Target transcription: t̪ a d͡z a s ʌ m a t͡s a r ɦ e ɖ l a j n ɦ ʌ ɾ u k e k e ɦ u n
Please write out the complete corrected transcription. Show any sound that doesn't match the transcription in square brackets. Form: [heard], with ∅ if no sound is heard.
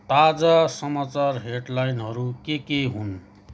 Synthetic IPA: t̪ a d͡z a s ʌ m a t͡s a r ɦ e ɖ l a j n ɦ ʌ ɾ u k e k e ɦ u n